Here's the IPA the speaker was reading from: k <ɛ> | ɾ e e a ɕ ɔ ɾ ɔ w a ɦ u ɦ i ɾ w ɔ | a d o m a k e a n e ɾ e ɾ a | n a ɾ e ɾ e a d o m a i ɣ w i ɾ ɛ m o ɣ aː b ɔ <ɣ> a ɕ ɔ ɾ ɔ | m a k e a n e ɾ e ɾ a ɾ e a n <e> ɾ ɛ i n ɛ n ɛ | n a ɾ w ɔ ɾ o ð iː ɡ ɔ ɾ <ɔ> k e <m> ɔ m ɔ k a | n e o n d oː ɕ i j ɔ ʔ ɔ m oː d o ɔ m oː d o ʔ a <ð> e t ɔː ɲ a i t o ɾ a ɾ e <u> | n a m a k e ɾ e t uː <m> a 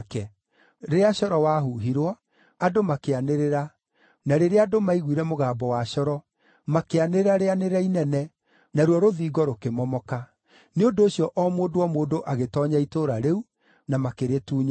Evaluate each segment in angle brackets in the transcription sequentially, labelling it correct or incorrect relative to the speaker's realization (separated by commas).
correct, incorrect, correct, incorrect, correct, incorrect, correct, incorrect